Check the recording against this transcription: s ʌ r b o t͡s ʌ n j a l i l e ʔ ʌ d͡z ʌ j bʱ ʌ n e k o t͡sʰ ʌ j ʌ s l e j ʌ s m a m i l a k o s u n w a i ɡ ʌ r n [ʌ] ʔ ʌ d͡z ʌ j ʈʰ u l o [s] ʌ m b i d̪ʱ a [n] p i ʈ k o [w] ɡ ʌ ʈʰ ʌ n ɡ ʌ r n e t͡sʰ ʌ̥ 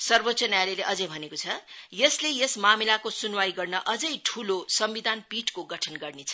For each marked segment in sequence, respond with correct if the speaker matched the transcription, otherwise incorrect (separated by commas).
correct, correct, correct, incorrect